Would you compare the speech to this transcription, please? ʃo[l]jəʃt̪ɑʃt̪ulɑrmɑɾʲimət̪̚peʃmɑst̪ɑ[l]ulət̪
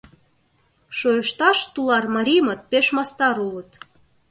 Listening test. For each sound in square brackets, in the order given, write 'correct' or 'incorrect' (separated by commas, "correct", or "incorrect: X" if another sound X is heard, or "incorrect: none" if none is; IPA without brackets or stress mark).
incorrect: none, incorrect: ɾ